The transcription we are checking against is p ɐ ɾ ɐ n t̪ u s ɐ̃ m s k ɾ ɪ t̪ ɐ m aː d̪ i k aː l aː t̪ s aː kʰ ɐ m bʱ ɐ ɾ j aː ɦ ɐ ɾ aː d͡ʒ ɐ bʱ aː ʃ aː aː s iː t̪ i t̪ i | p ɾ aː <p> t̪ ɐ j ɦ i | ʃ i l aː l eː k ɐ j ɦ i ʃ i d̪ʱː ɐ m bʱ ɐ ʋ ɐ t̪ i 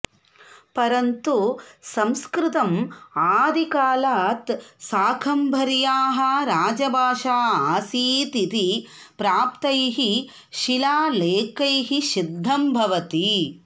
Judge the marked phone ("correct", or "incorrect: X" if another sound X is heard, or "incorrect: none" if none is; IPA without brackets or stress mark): correct